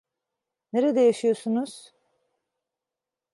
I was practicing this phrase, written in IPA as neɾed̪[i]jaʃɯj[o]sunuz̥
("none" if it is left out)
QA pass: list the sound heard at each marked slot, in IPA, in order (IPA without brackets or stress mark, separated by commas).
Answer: ɛ, o